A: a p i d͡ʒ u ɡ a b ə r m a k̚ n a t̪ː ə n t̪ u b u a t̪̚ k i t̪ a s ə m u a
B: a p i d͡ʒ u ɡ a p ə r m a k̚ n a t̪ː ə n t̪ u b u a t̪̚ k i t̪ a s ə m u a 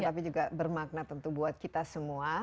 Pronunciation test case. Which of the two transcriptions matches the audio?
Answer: A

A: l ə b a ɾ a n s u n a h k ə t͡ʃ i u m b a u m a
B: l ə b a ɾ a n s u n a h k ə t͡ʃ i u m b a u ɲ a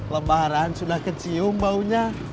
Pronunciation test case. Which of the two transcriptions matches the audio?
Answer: B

